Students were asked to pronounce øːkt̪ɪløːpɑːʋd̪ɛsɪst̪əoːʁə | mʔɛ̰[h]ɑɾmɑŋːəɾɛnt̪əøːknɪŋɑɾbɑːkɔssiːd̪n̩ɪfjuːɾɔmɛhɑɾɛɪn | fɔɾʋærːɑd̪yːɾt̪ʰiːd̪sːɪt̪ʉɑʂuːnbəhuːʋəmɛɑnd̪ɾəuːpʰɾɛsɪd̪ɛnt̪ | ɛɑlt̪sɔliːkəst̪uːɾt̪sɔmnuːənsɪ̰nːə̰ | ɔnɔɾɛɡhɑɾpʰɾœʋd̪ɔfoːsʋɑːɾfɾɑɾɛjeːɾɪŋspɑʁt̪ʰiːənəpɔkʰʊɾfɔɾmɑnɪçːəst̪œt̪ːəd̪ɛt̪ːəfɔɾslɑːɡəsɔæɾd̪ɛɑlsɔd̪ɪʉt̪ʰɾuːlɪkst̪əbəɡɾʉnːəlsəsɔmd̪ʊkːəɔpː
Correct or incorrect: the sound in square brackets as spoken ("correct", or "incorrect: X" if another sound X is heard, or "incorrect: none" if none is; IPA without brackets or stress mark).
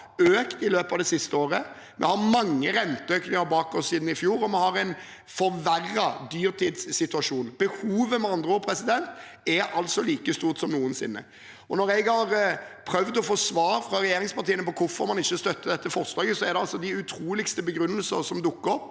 correct